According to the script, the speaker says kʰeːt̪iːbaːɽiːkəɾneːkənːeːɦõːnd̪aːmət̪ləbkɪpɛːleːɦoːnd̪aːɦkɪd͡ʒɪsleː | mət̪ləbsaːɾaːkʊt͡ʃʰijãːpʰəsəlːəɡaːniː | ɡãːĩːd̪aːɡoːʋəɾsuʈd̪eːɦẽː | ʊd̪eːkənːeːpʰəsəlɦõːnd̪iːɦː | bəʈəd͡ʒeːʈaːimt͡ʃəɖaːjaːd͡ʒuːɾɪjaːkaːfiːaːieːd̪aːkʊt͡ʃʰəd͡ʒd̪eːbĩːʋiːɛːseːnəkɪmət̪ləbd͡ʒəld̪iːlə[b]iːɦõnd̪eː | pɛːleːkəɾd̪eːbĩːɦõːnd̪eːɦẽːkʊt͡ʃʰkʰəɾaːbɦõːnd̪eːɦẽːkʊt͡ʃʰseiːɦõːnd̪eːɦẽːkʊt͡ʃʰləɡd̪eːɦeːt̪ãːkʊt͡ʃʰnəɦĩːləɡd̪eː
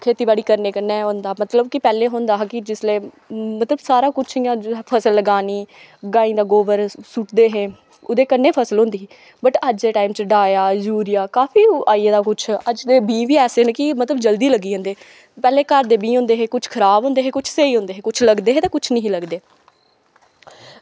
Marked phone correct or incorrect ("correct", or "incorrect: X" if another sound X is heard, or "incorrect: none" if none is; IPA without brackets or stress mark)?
incorrect: ɡ